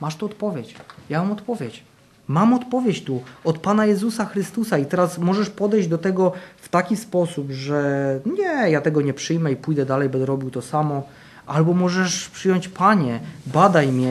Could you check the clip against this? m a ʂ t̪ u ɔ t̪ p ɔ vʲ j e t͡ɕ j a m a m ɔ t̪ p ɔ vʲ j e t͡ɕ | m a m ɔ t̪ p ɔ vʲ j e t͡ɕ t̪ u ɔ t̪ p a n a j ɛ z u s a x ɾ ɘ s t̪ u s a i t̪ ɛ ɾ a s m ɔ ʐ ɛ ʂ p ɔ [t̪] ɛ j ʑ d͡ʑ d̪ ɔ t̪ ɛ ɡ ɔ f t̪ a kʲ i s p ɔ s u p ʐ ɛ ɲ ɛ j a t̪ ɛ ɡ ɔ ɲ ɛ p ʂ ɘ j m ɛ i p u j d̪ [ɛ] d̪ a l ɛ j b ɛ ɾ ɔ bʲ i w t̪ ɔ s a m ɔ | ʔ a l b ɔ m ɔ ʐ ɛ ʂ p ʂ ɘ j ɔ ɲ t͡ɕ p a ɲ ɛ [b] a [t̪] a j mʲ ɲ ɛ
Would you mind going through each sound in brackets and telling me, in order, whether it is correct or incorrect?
incorrect: d̪, correct, correct, incorrect: d̪

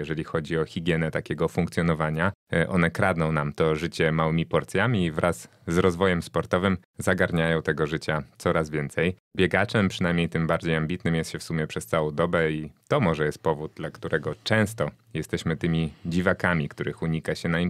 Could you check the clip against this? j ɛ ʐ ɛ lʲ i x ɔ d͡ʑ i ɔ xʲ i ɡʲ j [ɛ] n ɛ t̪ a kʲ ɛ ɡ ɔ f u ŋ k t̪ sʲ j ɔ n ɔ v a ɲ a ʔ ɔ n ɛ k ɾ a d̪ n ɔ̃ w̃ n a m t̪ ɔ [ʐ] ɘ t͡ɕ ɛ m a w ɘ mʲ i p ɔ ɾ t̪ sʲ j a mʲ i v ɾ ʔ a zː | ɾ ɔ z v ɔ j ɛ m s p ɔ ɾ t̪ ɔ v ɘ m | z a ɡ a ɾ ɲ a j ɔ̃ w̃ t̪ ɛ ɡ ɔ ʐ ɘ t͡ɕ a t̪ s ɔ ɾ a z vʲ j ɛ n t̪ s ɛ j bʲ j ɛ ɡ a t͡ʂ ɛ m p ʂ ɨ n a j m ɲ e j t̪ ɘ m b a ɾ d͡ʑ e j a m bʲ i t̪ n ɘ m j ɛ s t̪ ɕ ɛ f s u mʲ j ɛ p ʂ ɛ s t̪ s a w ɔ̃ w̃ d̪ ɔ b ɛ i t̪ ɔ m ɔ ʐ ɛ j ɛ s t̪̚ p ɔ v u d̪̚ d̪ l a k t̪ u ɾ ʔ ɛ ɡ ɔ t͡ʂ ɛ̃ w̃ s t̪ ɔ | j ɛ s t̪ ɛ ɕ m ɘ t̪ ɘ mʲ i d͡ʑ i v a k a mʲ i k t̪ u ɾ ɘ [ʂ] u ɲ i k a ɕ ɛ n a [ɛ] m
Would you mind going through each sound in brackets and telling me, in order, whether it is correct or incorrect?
correct, correct, incorrect: x, incorrect: i

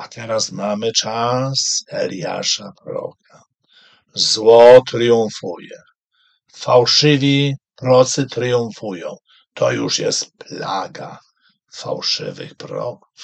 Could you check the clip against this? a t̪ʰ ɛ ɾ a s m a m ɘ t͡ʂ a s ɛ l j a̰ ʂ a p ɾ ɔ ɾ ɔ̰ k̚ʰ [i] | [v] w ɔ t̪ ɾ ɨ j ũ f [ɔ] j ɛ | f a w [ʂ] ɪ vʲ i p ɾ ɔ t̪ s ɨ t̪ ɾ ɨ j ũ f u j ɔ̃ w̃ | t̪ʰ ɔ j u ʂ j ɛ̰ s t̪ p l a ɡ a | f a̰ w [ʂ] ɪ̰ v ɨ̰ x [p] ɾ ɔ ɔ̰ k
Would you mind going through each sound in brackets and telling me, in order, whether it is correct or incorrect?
incorrect: a, incorrect: z, incorrect: u, correct, correct, correct

